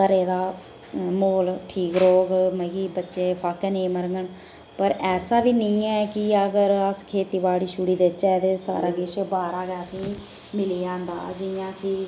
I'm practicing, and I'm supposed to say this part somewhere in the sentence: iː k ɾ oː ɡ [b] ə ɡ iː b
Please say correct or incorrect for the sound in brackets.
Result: incorrect